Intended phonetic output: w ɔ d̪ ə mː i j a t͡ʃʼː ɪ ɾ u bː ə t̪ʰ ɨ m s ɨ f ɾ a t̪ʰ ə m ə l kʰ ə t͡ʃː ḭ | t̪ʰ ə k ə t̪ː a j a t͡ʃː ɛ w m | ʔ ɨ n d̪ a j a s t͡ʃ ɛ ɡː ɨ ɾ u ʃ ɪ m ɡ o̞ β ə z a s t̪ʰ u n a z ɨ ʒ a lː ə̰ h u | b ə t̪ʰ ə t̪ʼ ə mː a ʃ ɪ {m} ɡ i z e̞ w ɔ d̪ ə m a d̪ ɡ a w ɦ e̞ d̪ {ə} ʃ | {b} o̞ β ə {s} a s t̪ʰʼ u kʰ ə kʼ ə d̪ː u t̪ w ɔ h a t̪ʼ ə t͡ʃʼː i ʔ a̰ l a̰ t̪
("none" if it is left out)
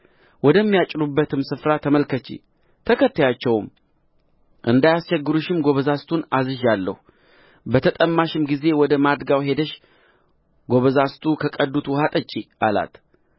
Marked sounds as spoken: m, ə, ɡ, z

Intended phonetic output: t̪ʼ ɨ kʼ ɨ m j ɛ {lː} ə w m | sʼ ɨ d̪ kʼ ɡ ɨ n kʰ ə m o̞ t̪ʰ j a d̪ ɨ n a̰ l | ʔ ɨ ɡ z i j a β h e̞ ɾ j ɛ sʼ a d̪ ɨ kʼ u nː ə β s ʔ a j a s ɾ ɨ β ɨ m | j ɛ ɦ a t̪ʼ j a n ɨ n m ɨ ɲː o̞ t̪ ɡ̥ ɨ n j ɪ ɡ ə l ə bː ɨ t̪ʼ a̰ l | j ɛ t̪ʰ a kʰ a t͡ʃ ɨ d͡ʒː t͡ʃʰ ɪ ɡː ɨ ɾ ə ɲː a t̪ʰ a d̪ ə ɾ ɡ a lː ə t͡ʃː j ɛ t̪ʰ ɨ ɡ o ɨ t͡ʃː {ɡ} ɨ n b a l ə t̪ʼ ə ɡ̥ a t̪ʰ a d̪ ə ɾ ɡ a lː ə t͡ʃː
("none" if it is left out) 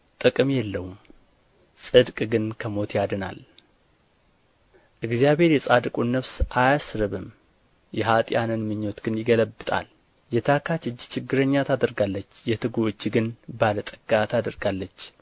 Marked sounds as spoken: lː, ɡ

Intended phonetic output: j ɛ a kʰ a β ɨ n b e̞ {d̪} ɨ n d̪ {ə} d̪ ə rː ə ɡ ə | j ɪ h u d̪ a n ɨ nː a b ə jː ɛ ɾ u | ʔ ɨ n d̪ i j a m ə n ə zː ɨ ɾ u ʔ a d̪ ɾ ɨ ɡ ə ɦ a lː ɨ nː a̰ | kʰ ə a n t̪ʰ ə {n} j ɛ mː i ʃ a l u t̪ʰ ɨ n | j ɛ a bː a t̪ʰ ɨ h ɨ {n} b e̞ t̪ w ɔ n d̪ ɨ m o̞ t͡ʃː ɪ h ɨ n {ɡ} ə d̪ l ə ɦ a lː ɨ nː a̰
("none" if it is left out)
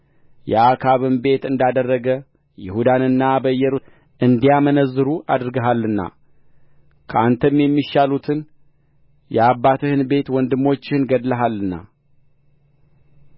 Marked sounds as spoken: t̪, a, m, n, ɡ

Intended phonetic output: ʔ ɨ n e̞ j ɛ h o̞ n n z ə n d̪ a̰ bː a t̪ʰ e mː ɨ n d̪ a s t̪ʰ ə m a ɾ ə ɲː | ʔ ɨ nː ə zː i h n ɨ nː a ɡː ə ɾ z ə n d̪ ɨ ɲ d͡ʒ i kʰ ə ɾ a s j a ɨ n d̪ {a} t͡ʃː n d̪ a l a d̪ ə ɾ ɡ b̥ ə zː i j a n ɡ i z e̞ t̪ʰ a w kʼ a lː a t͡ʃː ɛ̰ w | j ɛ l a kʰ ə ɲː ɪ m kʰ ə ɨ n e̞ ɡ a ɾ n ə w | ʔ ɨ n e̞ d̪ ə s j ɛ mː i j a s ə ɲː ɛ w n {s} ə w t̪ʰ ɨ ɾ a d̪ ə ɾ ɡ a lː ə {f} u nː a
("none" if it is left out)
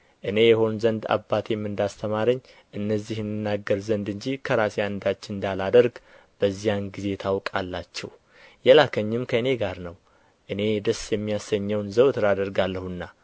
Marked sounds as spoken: a, z, h

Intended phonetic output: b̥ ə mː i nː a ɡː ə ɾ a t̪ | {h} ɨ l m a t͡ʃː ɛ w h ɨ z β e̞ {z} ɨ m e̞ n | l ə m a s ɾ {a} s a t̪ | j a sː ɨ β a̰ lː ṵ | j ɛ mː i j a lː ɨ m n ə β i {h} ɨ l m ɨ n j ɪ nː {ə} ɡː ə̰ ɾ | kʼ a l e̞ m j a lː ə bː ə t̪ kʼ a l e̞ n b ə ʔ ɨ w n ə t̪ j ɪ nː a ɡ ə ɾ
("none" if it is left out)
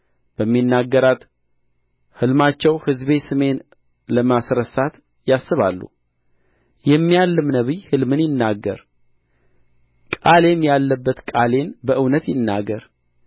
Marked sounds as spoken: h, s, ə, h, a

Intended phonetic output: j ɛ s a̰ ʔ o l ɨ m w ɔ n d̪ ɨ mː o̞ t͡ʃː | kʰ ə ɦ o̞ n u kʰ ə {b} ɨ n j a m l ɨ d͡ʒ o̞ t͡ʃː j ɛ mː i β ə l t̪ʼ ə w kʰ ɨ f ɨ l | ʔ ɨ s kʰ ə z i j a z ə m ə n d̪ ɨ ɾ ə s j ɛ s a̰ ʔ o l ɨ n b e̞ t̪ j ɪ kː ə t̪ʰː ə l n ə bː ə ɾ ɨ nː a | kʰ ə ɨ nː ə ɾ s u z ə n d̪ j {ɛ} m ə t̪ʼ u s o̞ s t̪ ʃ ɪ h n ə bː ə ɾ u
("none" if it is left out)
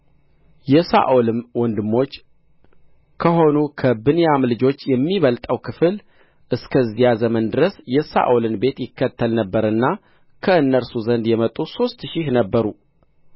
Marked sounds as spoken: b, ɛ

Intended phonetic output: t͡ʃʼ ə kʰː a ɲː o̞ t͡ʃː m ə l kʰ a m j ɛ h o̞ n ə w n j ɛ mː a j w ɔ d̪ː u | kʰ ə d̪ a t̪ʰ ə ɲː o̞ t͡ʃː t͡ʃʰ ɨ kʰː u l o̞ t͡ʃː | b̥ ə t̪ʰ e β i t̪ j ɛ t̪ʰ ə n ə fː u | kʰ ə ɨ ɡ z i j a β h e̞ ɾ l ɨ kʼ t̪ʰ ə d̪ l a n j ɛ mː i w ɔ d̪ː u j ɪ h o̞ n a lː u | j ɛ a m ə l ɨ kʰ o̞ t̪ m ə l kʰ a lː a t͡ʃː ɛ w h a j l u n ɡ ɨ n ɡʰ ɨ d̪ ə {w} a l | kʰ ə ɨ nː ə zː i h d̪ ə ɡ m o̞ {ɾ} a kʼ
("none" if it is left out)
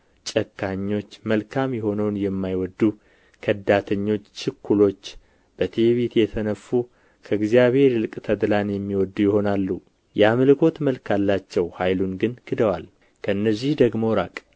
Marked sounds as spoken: w, ɾ

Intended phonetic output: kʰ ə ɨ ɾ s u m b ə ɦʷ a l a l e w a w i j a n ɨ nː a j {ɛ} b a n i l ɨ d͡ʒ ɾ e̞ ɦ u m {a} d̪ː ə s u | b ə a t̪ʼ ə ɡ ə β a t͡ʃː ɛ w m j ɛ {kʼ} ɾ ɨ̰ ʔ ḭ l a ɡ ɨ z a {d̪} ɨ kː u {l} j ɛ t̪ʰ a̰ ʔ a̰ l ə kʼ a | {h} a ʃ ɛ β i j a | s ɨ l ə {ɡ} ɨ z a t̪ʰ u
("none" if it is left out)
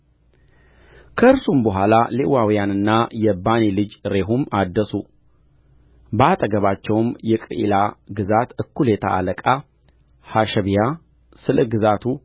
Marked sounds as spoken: ɛ, a, kʼ, t̪, l, h, ɡ

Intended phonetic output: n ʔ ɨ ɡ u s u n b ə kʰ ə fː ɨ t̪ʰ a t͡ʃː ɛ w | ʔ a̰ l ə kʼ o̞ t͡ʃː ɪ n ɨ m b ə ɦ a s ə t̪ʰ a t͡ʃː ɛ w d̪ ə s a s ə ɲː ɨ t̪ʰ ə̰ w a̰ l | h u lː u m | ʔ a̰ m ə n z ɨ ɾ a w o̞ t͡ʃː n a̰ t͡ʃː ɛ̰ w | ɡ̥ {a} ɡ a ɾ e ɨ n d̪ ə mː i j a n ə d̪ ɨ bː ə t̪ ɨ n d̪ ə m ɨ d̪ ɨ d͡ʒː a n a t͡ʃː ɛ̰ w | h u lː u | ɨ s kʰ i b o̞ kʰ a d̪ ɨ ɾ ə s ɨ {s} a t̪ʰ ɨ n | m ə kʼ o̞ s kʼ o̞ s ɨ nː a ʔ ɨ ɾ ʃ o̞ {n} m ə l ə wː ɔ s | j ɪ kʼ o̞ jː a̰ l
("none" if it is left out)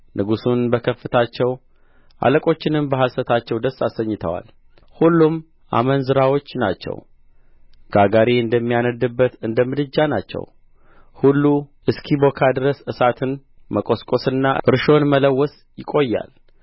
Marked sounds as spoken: a, s, n

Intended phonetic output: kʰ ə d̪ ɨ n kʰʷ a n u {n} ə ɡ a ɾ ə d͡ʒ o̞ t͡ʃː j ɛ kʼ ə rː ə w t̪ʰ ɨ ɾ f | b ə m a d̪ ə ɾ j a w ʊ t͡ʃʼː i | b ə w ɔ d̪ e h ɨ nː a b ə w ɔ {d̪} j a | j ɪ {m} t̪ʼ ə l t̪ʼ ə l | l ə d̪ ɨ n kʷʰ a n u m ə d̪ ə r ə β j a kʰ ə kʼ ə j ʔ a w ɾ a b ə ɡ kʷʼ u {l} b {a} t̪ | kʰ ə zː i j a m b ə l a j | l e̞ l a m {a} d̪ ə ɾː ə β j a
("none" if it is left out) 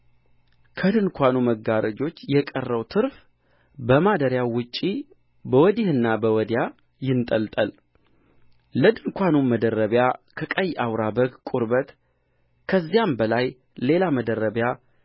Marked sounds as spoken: m, d̪, n, ɾ, ə, ə

